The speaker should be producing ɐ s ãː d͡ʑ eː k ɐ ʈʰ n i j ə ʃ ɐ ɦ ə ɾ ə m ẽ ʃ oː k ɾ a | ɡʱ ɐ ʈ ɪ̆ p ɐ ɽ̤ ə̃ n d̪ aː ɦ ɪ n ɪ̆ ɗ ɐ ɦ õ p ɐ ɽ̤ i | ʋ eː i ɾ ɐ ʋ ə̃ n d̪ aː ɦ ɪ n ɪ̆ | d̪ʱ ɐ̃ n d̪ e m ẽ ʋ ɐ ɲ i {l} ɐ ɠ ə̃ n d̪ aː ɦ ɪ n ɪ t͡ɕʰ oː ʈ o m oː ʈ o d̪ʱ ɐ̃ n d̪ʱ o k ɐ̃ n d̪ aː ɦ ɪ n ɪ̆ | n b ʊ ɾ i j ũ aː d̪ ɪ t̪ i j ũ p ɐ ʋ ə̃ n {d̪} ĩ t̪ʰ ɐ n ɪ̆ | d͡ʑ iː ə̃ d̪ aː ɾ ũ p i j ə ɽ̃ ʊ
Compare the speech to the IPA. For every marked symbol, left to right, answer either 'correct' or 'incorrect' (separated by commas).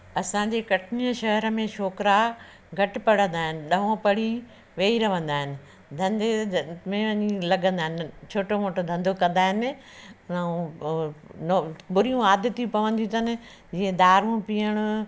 correct, correct